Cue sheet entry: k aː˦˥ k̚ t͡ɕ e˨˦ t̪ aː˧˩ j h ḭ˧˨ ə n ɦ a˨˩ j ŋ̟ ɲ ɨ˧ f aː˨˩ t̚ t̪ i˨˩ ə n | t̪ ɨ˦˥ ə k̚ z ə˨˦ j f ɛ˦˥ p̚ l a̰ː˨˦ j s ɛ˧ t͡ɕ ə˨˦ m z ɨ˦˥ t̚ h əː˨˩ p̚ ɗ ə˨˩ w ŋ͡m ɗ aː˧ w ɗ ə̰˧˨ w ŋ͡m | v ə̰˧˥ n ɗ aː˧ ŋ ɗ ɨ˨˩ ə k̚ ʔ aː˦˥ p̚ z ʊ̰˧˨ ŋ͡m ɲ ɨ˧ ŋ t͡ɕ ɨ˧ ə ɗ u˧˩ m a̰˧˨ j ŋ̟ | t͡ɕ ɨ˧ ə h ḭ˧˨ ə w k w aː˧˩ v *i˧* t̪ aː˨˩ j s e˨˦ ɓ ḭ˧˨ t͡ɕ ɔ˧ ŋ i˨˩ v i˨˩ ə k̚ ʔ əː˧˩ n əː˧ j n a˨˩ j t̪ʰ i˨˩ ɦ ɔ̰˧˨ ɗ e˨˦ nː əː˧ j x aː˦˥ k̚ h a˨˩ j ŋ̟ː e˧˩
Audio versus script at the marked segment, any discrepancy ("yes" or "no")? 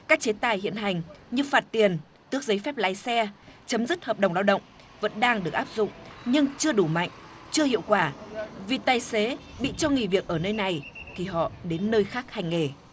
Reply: yes